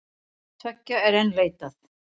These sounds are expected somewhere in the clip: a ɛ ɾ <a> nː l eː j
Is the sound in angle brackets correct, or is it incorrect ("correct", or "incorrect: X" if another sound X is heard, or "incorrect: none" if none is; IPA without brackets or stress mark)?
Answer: incorrect: ɛ